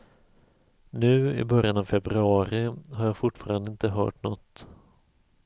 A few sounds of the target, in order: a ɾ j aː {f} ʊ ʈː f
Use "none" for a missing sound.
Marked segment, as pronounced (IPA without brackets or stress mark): f